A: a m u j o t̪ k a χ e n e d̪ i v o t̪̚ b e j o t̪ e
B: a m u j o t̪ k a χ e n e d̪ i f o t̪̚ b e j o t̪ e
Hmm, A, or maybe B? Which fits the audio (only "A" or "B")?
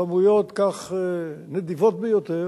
A